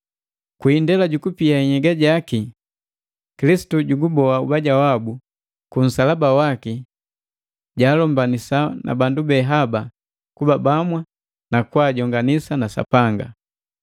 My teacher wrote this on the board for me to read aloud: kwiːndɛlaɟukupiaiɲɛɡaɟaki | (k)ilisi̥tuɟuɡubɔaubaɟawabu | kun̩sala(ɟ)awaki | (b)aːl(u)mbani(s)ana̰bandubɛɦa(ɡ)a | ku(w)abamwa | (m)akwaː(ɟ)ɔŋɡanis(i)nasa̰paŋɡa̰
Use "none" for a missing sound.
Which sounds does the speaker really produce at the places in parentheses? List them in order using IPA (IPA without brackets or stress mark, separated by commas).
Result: k, b, ɟ, ɔ, s, b, b, n, ɟ, a